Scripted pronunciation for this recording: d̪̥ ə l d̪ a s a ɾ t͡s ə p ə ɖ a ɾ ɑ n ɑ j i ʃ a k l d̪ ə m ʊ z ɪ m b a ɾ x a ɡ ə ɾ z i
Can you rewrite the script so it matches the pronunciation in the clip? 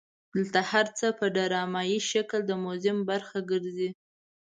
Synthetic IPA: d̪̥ ə l t̪ a h a ɾ t͡s ə p ə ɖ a ɾ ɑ m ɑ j i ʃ a k l d̪ ə m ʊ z ɪ m b a ɾ x a ɡ ə ɾ z i